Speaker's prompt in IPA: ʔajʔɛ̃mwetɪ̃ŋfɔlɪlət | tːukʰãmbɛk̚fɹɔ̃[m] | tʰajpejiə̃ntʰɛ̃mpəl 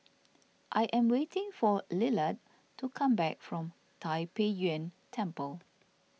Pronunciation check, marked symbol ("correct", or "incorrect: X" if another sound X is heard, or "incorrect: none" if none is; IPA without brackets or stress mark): correct